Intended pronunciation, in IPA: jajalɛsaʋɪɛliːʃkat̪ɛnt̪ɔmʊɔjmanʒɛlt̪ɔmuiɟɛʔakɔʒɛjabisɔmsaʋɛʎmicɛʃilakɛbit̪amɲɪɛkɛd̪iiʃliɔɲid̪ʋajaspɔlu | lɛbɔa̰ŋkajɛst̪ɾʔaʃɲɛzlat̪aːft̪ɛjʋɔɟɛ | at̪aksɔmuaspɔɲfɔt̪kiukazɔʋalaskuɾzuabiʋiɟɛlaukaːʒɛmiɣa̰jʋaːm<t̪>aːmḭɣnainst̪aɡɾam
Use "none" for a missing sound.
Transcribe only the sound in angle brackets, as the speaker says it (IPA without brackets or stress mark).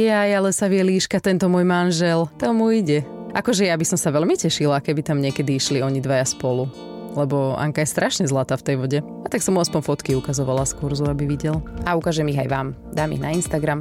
d̪